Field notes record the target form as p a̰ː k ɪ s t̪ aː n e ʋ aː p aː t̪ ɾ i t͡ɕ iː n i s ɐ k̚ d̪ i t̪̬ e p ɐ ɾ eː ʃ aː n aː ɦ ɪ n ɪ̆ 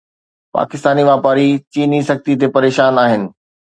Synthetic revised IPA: p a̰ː k ɪ s t̪ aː n i ʋ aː p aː ɾ i t͡ɕ iː n i s ɐ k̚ t̪ i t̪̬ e p ɐ ɾ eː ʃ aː n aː ɦ ɪ n ɪ̆